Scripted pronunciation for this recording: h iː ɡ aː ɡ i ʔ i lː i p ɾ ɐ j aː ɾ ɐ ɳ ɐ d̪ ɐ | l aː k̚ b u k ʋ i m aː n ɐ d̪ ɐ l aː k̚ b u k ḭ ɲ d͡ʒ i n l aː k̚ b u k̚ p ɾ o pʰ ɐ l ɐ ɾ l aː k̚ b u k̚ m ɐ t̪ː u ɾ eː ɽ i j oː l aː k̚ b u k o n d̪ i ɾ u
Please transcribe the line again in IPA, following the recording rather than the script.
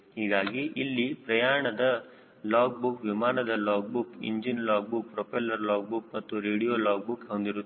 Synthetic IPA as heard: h iː ɡ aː ɡ i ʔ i lː i p ɾ ɐ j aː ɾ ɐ ɳ ɐ d̪ ɐ | l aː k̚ b u k ʋ i m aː n ɐ d̪ ɐ l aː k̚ b u k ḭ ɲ d͡ʒ i n l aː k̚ b u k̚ p ɾ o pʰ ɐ l ɐ ɾ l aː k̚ b u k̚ m ɐ t̪ː u ɾ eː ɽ i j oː l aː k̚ b u k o n d̪ i ɾ u